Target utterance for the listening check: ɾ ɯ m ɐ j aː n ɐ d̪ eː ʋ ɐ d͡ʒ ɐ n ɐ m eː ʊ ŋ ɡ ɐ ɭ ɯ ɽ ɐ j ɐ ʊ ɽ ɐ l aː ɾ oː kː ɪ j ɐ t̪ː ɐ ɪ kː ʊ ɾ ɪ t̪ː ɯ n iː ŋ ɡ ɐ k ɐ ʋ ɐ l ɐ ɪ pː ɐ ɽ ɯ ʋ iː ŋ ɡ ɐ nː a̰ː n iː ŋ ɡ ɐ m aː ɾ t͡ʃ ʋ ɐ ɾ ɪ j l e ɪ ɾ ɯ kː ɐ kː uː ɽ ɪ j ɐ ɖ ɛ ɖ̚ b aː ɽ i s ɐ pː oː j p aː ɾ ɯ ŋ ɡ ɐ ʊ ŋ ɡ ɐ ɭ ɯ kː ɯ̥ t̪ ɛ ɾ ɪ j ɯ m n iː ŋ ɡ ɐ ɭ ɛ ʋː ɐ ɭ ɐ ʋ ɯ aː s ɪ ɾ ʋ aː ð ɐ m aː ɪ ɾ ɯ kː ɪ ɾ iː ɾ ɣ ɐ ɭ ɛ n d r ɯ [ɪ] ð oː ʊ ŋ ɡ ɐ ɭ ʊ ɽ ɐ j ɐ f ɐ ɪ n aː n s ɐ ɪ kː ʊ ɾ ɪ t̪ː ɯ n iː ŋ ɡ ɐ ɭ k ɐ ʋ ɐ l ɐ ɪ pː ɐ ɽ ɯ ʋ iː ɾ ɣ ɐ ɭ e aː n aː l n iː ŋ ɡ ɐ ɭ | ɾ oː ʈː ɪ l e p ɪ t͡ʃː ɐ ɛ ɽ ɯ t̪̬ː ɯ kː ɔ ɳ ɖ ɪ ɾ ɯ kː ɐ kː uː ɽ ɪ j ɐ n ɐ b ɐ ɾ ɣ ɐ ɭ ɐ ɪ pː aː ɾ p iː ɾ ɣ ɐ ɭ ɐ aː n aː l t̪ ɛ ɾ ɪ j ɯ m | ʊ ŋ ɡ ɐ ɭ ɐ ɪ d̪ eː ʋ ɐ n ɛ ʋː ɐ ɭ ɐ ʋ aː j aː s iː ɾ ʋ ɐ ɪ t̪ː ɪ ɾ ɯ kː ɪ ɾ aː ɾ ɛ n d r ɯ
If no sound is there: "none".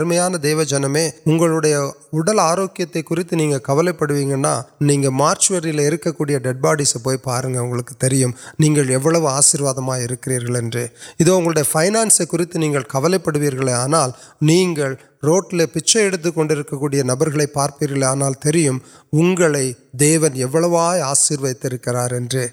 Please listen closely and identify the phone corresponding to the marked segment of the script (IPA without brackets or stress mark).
ɪ